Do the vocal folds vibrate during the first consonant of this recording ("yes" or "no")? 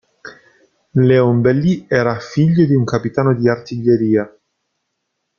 yes